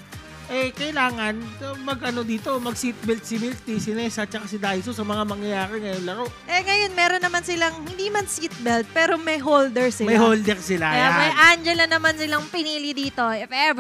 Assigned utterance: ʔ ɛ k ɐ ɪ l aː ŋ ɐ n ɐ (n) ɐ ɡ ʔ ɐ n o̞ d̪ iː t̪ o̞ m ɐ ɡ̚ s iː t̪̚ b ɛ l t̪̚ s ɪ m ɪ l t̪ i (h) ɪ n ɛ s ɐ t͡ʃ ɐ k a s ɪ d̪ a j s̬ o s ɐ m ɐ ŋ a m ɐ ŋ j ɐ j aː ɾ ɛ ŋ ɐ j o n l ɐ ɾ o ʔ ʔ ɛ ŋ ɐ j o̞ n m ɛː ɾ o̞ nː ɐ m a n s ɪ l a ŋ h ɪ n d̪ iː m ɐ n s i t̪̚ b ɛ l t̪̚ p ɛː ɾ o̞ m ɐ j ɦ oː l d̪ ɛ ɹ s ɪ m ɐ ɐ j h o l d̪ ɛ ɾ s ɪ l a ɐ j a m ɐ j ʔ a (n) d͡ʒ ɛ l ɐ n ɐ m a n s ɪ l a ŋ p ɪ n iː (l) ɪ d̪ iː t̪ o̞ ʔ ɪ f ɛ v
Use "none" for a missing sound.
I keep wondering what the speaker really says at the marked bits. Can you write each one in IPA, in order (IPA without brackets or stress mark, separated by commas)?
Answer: m, s, n, l